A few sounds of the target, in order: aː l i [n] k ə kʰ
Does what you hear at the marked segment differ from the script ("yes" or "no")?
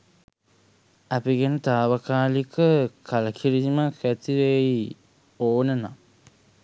yes